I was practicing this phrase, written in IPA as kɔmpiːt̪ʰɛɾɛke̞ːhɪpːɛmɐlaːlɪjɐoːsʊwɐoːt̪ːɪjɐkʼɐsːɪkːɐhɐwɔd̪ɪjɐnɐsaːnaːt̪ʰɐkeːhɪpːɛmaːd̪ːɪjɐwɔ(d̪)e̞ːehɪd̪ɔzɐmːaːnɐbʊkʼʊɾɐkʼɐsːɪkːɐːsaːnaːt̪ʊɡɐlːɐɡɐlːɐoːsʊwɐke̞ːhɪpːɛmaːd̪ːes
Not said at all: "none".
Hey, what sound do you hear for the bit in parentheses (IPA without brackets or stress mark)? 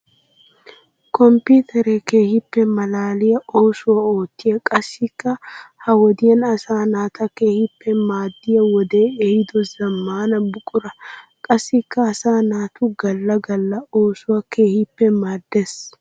d̪